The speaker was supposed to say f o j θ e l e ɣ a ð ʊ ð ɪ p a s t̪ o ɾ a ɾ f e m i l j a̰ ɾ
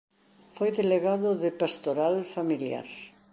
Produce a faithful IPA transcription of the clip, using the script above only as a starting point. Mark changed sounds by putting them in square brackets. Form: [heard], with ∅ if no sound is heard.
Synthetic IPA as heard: f o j [ð] e l e ɣ a ð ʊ ð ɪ p a s t̪ o ɾ a [l] f [a] m i l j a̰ ɾ

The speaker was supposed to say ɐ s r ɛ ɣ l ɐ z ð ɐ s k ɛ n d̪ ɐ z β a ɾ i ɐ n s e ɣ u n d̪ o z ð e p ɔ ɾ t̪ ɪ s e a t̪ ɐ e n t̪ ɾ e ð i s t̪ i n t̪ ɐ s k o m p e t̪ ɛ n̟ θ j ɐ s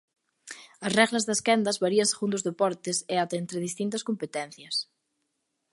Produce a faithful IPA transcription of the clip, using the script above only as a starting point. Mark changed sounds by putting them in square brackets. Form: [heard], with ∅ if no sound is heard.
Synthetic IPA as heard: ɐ s r ɛ ɣ l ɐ z ð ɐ s k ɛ n d̪ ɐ z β a ɾ i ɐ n s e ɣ u n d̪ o z ð e p ɔ ɾ t̪ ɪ s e a t̪ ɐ e n t̪ ɾ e ð i s t̪ i n t̪ ɐ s k o m p e t̪ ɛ n̟ θ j ɐ s

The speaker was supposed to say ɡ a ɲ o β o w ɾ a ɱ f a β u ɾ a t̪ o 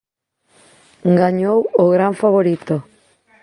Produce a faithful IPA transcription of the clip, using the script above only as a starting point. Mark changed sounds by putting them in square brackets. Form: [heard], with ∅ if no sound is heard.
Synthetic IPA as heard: ɡ a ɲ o [w] o [ɣ] ɾ a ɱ f a β [o] ɾ [i] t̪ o

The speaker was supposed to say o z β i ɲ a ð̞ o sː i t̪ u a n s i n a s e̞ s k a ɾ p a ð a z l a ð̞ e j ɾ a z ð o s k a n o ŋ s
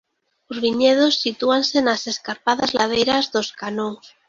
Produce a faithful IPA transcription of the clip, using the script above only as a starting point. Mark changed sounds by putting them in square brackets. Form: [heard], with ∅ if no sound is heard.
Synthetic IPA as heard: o z β i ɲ [e] ð̞ o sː i t̪ u a n s [e] n a s e̞ s k a ɾ p a ð a z l a ð̞ e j ɾ a z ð o s k a n o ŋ s

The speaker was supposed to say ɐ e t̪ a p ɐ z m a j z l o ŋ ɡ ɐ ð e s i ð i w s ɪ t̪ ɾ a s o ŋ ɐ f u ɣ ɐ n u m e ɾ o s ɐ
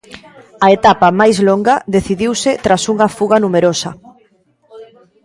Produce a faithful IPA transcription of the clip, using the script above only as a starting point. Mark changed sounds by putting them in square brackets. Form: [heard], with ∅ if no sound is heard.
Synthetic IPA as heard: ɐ e t̪ a p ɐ [∅] m a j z l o ŋ ɡ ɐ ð e [θ] i ð i w s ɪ t̪ ɾ a s [u] ŋ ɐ f u ɣ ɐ n u m e ɾ o s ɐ

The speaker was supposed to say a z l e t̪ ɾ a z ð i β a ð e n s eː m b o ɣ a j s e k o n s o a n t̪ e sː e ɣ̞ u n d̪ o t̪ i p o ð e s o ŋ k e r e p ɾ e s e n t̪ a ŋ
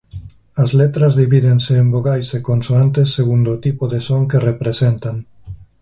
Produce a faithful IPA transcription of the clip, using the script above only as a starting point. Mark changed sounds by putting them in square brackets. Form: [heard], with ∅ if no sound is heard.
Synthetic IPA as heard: a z l e t̪ ɾ a z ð i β [i] ð e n s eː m b o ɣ a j s e k o n s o a n t̪ e sː e ɣ̞ u n d̪ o t̪ i p o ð e s o ŋ k e r e p ɾ e s e n t̪ a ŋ

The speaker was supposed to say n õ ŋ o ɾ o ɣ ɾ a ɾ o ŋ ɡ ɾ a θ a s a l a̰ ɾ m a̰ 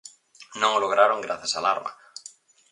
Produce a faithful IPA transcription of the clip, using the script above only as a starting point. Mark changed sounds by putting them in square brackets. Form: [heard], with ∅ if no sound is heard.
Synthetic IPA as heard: n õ ŋ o [l] o ɣ ɾ a ɾ o ŋ ɡ ɾ a θ a s a l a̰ ɾ m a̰

